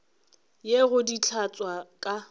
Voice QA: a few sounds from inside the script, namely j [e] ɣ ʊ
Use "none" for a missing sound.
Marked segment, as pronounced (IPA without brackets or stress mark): e